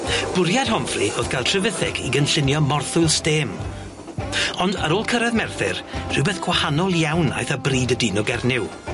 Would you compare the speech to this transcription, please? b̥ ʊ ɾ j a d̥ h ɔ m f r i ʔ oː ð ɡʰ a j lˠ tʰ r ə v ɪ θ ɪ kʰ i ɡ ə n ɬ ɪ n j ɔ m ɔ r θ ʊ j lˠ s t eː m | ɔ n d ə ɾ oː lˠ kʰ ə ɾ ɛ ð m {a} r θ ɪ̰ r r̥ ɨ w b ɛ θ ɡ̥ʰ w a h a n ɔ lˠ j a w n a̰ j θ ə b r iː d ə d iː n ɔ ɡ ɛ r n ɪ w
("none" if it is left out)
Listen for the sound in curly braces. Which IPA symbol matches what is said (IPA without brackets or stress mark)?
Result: ɛ